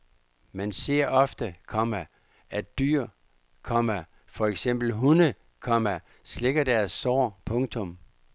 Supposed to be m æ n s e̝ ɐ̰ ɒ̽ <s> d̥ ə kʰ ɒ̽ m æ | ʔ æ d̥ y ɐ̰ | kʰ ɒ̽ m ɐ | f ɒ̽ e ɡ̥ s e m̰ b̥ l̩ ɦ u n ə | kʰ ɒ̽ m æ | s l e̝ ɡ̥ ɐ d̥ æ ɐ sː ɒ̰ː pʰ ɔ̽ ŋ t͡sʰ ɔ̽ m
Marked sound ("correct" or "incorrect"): incorrect